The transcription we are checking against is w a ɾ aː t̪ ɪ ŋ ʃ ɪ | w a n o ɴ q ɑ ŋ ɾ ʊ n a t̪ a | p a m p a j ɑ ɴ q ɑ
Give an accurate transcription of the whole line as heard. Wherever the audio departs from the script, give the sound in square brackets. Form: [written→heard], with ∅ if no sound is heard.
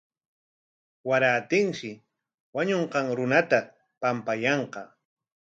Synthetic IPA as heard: w a ɾ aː t̪ ɪ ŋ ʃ ɪ | w a [n→ɲ] o ɴ q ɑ ŋ ɾ ʊ n a t̪ a | p a m p a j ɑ ɴ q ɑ